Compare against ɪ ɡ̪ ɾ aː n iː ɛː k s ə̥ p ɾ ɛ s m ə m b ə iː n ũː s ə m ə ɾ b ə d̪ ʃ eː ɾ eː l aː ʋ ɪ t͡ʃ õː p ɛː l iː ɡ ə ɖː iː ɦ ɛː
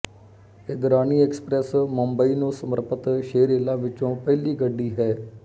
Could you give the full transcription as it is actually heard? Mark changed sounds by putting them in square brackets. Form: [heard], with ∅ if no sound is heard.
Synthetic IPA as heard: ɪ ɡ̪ ɾ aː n iː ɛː k s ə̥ p ɾ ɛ s m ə m b ə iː n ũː s ə m ə ɾ [p] ə [t̪] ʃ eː ɾ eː l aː ʋ ɪ t͡ʃ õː p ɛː l iː ɡ ə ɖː iː ɦ ɛː